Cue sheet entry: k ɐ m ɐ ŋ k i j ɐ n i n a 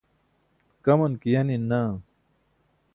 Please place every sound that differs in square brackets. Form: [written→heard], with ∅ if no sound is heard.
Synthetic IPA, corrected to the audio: k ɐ m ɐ [ŋ→n] k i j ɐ n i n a